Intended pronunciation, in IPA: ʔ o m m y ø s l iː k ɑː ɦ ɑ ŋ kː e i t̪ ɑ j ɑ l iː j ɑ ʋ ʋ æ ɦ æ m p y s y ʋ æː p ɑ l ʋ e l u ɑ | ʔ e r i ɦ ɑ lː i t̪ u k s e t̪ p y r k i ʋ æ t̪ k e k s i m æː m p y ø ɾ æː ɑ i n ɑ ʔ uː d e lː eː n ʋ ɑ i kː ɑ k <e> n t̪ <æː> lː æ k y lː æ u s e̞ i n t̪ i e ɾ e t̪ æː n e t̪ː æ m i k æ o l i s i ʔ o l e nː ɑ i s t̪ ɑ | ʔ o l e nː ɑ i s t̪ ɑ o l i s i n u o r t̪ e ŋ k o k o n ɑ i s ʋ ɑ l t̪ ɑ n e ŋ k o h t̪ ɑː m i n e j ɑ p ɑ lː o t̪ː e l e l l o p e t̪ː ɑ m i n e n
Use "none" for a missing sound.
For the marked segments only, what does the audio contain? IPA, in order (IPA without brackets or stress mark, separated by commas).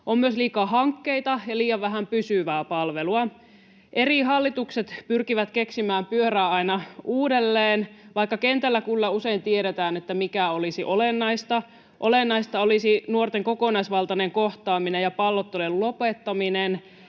e, æ